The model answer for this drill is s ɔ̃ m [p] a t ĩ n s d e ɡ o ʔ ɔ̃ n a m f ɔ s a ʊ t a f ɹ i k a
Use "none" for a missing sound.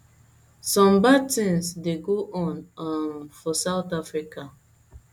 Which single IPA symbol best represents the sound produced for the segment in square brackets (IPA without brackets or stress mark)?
b